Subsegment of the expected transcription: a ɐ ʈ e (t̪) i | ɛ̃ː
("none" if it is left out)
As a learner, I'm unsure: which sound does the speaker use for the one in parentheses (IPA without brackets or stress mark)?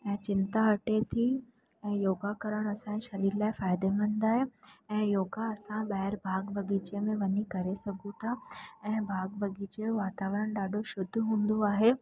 t̪ʰ